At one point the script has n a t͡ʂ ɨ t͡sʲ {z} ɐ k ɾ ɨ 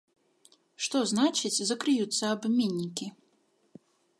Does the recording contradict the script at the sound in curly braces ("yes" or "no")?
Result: no